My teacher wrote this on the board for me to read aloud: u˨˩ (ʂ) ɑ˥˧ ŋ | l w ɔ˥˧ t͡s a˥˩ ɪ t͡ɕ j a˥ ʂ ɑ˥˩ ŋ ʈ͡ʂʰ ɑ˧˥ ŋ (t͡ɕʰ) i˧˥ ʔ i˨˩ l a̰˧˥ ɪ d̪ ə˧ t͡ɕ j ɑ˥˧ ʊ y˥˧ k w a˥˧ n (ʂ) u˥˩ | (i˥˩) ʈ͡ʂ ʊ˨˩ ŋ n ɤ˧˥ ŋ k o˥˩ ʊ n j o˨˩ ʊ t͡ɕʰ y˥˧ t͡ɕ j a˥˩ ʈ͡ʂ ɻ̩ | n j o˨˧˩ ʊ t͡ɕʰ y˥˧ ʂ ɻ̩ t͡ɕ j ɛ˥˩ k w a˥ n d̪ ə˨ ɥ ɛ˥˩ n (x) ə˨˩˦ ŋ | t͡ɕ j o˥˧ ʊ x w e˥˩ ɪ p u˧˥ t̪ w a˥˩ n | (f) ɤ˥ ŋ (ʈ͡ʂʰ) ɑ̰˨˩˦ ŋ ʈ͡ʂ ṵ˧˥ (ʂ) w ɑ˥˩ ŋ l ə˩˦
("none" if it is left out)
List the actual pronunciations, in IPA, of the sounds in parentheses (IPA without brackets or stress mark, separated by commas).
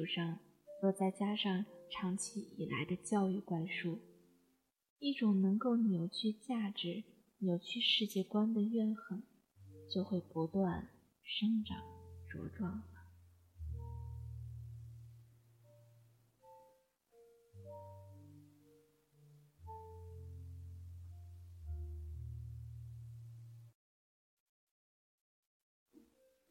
ʂ, t͡ɕʰ, ʂ, i˥˩, x, ʂ, ʈ͡ʂ, ʈ͡ʂ